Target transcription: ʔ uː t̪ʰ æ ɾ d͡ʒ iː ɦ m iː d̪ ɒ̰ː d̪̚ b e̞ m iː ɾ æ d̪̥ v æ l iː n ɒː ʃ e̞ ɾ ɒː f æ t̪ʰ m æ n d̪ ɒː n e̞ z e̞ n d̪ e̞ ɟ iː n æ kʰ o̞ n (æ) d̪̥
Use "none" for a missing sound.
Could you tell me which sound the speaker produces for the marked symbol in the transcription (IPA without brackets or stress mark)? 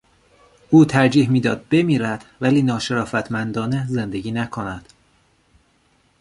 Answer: æ